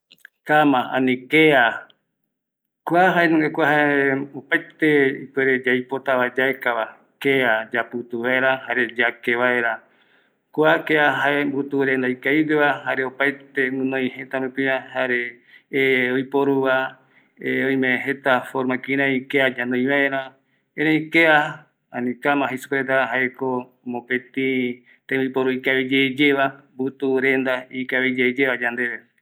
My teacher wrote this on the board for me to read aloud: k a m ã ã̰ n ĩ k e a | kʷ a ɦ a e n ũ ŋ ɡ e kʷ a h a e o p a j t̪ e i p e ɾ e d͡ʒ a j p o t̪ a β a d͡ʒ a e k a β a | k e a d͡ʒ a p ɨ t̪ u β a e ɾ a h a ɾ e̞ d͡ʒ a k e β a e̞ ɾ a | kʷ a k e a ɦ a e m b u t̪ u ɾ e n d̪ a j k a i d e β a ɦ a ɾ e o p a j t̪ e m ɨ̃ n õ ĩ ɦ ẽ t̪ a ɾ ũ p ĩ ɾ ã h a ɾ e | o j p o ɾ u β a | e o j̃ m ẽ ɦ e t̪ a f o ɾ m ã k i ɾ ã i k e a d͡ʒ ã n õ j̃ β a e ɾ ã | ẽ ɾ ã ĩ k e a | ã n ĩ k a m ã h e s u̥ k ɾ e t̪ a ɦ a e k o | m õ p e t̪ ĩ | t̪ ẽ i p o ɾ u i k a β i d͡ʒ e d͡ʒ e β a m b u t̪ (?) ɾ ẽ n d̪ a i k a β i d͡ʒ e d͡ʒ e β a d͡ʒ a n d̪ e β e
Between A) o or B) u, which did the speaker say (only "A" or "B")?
B